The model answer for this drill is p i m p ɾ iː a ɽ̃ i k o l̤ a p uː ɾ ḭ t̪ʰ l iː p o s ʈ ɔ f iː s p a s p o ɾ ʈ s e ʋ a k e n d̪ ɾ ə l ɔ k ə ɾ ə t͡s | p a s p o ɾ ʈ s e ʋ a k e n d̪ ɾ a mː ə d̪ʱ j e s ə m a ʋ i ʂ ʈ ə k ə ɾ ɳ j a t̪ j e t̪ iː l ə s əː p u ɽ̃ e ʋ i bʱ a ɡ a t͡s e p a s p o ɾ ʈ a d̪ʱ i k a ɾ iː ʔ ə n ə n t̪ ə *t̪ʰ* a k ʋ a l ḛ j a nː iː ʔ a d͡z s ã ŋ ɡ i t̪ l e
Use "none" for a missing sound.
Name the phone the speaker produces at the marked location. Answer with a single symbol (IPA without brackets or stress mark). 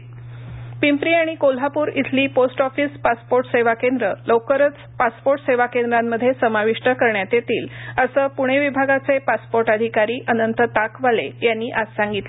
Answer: t̪